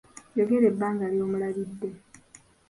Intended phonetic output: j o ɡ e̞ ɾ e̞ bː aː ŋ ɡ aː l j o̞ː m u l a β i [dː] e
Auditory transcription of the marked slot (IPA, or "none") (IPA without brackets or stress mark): dː